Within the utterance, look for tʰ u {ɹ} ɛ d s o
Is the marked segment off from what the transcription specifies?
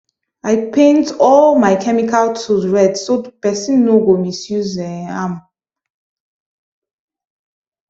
no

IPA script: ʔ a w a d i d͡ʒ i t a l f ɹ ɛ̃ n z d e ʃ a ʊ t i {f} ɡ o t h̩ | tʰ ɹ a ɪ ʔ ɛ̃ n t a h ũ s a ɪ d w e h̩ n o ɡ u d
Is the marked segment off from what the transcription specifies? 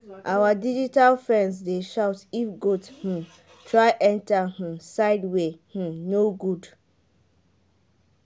no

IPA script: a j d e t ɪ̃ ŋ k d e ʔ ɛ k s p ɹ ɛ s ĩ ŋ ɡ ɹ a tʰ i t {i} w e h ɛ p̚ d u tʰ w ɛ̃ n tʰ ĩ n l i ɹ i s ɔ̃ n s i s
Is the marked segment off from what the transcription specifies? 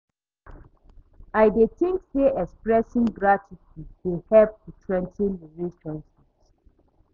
no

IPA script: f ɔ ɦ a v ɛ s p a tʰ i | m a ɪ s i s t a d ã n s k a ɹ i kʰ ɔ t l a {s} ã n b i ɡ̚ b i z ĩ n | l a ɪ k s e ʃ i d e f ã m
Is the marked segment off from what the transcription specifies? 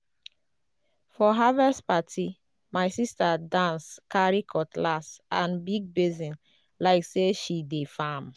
no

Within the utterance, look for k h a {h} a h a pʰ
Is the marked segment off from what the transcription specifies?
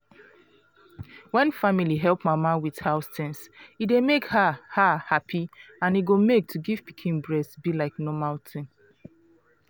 no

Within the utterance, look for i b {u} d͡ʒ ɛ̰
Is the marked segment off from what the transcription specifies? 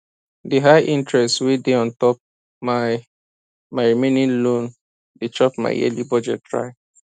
yes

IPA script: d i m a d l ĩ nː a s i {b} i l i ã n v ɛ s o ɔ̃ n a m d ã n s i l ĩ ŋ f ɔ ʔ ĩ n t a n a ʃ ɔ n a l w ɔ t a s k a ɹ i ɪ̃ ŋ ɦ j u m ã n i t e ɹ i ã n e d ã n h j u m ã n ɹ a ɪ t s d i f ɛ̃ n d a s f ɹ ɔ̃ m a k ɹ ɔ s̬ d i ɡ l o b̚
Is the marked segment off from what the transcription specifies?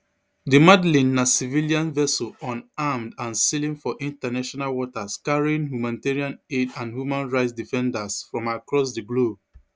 yes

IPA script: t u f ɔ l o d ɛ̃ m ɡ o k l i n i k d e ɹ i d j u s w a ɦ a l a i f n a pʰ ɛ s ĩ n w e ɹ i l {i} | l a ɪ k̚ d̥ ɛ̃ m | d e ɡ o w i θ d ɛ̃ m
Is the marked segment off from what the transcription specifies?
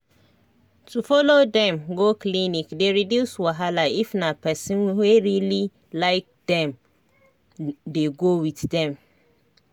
no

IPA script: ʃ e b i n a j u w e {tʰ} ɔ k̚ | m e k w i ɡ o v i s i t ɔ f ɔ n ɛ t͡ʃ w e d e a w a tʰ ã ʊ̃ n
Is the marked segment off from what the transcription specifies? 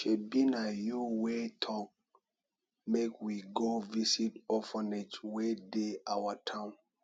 no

